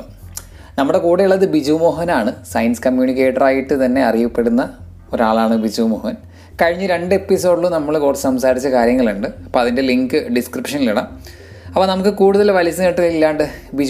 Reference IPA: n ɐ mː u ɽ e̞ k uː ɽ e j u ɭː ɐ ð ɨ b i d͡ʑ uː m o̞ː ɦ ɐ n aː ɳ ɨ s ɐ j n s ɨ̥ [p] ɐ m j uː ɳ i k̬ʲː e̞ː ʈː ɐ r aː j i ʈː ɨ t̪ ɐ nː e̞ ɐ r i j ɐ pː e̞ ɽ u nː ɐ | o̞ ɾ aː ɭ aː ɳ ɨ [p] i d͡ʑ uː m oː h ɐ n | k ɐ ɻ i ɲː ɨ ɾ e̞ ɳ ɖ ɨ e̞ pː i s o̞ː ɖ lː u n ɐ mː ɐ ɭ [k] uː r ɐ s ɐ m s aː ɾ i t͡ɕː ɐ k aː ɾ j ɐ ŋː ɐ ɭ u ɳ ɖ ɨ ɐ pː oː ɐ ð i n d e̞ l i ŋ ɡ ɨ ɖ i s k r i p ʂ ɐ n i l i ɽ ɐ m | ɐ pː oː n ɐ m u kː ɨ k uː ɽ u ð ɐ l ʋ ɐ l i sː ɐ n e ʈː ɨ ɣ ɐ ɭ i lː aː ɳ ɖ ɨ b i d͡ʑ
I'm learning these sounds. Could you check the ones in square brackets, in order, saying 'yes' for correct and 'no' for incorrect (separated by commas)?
no, no, yes